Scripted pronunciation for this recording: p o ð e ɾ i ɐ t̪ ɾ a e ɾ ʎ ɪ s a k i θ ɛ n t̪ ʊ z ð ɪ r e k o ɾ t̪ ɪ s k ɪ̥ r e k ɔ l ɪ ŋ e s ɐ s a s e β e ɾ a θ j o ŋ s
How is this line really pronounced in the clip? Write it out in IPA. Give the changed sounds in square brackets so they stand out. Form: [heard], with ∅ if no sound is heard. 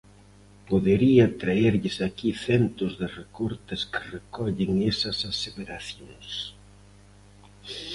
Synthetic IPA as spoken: p o ð e ɾ i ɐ t̪ ɾ a e ɾ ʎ ɪ s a k i θ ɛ n t̪ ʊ z ð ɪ r e k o ɾ t̪ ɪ s k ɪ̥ r e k ɔ [ʎ] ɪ ŋ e s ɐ s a s e β e ɾ a θ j o ŋ s